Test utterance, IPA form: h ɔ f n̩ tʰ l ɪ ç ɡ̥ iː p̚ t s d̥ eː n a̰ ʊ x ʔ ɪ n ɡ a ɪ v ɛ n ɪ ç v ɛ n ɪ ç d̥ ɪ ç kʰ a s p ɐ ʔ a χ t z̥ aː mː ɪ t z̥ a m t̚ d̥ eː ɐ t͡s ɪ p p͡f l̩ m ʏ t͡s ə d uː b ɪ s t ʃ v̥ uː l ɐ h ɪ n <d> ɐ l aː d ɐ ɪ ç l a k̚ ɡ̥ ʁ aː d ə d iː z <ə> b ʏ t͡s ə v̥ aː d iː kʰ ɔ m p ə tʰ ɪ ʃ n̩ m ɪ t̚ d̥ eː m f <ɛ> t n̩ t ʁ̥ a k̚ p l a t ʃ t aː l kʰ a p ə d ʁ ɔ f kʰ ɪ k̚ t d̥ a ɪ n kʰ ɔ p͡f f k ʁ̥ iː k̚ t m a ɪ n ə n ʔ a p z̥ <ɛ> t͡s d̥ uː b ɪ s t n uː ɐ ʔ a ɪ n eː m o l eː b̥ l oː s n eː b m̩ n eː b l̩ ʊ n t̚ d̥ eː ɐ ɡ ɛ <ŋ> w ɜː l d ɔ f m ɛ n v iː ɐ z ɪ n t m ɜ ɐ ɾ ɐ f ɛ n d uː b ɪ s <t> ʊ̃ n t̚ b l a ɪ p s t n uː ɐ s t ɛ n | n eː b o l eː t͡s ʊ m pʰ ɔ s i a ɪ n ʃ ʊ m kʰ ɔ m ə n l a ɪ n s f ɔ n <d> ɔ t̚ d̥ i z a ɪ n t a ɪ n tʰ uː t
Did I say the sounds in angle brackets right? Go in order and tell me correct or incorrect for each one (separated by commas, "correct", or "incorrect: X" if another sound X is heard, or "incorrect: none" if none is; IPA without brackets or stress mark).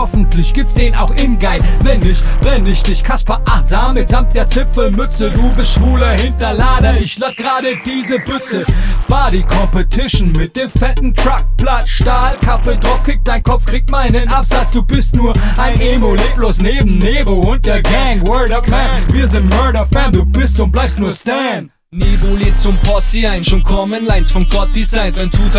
incorrect: t, correct, correct, incorrect: a, correct, correct, incorrect: ɡ